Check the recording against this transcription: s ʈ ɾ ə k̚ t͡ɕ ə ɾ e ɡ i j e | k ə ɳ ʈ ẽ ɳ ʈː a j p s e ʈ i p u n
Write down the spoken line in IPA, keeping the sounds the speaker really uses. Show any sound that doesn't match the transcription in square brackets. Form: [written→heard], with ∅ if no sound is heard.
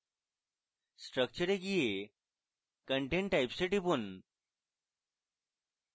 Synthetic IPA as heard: s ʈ ɾ ə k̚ t͡ɕ ə ɾ e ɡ i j e | k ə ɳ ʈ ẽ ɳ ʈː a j p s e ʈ i p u n